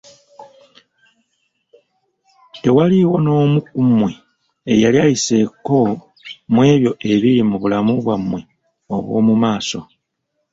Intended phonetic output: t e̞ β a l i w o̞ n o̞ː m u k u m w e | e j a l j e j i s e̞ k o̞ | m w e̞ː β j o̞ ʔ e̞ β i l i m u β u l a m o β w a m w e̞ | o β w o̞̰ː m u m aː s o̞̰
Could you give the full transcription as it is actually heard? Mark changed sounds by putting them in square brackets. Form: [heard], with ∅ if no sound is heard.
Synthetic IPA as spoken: t e̞ [w] a l i w o̞ n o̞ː m u k u m w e | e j a l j [a] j i s e̞ k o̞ | m w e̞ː β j o̞ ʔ e̞ β i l i m u β u l a m [u] β w a m w e̞ | o β w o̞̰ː m u m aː s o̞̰